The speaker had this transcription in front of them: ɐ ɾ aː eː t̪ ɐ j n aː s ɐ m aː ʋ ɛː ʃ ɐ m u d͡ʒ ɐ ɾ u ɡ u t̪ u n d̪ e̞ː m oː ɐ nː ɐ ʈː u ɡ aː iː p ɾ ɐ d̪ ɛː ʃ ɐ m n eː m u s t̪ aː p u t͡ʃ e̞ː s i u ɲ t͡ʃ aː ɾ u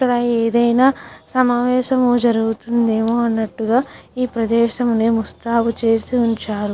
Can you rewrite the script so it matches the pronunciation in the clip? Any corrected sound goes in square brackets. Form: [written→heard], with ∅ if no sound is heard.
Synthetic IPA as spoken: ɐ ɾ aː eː [t̪→d̪] ɐ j n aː s ɐ m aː ʋ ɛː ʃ ɐ m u d͡ʒ ɐ ɾ u ɡ u t̪ u n d̪ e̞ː m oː ɐ nː ɐ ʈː u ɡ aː iː p ɾ ɐ d̪ ɛː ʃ ɐ m n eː m u s t̪ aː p u t͡ʃ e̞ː s i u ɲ t͡ʃ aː ɾ u